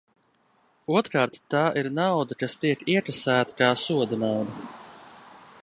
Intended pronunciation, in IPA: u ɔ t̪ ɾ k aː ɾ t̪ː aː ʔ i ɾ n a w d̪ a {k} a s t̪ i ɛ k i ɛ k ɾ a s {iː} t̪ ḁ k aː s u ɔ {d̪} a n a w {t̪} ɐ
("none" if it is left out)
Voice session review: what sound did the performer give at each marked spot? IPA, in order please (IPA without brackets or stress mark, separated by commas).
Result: k, æː, d̪, d̪